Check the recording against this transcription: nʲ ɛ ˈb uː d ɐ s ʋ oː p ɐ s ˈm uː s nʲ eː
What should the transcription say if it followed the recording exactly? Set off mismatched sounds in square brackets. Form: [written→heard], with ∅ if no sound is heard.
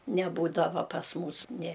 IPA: nʲ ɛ ˈb uː d ɐ [s→∅] ʋ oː p ɐ s ˈm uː s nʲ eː